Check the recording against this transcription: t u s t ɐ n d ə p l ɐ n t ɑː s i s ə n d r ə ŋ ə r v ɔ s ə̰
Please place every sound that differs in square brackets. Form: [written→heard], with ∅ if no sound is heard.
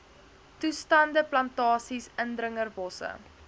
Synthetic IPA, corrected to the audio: t u s t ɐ n d ə p l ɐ n t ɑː s i s ə n d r ə ŋ ə r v ɔ s ə̰